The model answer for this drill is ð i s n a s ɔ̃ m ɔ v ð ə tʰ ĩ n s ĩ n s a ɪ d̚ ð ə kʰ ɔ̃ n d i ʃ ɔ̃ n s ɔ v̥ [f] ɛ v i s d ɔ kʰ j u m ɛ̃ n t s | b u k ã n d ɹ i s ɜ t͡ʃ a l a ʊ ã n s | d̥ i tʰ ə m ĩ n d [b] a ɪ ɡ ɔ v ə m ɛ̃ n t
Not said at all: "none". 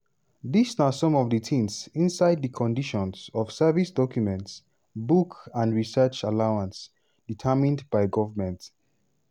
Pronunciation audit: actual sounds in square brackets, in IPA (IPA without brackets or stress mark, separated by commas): s, b